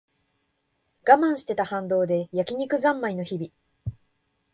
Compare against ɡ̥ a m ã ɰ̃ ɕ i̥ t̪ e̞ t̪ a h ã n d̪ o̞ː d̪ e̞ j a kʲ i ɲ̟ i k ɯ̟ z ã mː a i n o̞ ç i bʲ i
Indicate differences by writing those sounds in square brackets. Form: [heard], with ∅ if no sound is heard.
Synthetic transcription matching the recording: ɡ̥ a m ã ɰ̃ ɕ i̥ t̪ e̞ t̪ a h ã n d̪ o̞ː d̪ e̞ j a kʲ i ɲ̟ i k ɯ̟ z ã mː a i n o̞ ç i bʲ i